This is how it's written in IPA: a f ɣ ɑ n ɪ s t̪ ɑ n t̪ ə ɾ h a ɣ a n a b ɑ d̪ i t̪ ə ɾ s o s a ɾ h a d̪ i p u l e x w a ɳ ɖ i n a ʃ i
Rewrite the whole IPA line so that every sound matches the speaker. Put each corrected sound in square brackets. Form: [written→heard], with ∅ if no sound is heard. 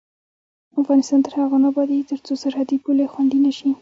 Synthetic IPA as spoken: a f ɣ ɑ n ɪ s t̪ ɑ n t̪ ə ɾ h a ɣ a n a b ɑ d̪ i t̪ ə ɾ [s→t͡s] o s a ɾ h a d̪ i p u l e x w a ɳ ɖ i n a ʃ i

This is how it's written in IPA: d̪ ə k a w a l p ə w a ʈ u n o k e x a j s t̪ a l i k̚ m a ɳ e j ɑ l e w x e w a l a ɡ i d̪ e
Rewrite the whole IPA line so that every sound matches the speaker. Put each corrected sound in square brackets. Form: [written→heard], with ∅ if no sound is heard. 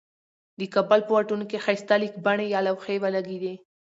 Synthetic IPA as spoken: d̪ ə k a [w→b] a l p ə w a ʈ u n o k e x a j s t̪ a l i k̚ [m→b] a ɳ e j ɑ l [e→a] w x e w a l a ɡ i d̪ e

